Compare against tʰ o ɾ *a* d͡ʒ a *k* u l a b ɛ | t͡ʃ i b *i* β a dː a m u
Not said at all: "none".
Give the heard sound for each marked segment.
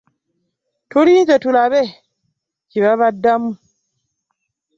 i, t, a

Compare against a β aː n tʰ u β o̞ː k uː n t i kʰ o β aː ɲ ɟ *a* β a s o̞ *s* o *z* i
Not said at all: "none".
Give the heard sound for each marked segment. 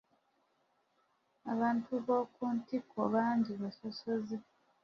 i, s, z

